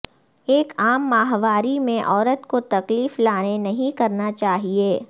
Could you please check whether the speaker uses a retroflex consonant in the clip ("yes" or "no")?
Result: no